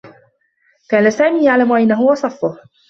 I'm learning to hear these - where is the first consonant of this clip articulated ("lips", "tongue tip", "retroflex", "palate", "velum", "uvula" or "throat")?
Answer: velum